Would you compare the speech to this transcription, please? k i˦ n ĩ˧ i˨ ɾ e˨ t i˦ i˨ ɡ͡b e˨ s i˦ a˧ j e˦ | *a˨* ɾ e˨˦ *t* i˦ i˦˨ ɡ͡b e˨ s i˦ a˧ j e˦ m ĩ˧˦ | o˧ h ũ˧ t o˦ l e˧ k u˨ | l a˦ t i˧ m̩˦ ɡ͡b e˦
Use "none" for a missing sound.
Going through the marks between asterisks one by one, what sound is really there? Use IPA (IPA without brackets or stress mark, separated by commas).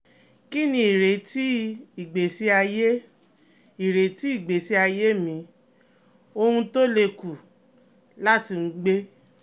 i˨, t